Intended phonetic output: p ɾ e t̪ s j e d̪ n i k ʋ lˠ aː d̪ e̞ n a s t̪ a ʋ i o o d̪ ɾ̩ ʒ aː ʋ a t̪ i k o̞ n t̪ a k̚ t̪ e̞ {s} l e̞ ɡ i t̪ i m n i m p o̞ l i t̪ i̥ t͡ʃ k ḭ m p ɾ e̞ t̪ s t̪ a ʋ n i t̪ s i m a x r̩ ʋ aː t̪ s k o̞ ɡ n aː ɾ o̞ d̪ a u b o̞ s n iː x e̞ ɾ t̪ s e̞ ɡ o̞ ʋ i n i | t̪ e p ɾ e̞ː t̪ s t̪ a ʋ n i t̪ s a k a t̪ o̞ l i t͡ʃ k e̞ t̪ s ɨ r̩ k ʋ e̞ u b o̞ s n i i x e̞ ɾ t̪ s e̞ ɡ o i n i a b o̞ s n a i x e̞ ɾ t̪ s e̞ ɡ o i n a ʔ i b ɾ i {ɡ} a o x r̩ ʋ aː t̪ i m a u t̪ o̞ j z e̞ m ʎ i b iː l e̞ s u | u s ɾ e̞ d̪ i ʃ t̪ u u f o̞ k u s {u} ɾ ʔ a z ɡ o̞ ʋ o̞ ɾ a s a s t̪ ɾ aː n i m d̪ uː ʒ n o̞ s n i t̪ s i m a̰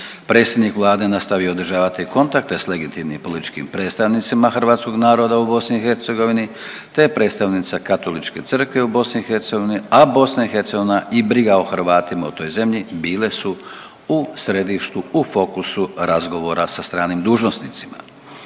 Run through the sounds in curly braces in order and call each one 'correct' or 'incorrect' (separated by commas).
correct, correct, correct